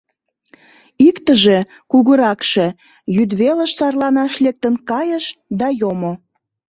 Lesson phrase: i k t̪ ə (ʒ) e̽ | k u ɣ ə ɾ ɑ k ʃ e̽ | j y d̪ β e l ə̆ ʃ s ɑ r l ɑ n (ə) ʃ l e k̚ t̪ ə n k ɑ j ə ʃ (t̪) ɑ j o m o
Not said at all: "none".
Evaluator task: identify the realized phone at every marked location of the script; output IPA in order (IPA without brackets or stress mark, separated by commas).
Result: ʒ, ɑ, d̪